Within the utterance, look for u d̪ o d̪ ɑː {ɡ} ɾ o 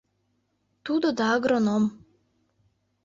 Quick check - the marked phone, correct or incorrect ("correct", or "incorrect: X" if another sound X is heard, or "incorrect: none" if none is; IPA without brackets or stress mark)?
correct